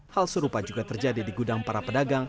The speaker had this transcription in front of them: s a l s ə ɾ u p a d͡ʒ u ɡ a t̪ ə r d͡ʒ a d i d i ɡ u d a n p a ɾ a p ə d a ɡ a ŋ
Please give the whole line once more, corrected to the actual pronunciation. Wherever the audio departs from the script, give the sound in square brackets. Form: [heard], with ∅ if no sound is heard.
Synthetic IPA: [h] a l s ə ɾ u p a d͡ʒ u ɡ a t̪ ə r d͡ʒ a d i d i ɡ u d a [ŋ] p a ɾ a p ə d a ɡ a ŋ